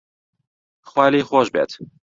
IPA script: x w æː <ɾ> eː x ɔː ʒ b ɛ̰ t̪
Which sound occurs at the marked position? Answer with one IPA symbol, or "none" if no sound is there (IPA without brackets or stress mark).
l